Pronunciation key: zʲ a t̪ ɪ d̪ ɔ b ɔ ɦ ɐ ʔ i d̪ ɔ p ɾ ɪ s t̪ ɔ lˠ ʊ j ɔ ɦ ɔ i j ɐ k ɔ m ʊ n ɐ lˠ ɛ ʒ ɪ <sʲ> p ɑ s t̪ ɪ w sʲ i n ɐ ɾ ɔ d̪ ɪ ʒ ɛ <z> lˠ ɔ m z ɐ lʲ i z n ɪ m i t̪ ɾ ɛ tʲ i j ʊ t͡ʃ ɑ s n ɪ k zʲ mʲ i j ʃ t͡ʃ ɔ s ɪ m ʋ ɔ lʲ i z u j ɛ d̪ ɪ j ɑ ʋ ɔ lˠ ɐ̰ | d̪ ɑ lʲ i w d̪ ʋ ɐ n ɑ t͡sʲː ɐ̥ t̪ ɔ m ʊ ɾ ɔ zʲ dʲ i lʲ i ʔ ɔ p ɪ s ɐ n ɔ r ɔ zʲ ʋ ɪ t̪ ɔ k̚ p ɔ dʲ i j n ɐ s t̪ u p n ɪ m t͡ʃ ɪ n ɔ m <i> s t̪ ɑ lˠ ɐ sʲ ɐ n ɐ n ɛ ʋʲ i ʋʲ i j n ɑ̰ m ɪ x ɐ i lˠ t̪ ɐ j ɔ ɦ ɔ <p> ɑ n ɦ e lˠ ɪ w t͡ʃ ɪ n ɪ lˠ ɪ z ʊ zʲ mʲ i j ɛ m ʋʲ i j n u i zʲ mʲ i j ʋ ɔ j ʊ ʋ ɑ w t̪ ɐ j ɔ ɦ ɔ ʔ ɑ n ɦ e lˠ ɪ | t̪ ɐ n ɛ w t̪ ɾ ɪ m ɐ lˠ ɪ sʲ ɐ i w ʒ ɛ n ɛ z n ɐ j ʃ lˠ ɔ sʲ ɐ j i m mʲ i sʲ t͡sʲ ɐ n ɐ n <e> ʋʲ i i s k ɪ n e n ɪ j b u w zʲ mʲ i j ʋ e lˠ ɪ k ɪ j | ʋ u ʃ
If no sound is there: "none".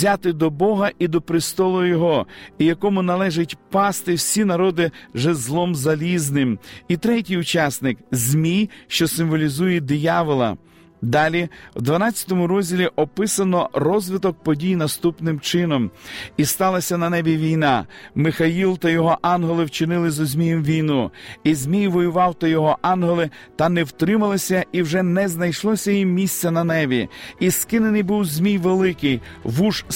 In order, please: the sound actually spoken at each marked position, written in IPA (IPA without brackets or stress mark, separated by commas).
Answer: tʲ, z, i, ʔ, ɛ